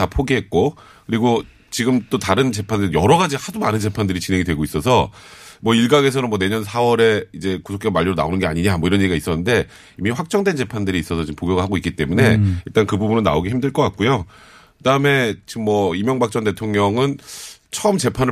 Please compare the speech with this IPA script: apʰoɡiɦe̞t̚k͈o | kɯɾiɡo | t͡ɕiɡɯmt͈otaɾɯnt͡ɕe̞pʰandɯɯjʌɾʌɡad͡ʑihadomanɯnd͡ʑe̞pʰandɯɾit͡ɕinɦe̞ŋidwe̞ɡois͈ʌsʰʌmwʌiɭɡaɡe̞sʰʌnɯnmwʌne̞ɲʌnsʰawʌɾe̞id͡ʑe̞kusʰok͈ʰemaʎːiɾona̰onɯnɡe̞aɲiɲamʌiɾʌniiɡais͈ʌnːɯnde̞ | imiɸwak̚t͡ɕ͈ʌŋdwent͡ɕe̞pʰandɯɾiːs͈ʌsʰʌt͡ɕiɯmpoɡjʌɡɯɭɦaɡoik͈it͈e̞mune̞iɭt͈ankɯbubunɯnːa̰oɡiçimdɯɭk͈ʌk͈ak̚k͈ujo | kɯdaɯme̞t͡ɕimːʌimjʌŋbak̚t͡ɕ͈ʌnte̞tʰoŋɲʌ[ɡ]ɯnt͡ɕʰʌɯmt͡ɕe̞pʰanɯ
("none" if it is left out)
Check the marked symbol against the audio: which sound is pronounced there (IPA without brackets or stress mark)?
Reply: ŋ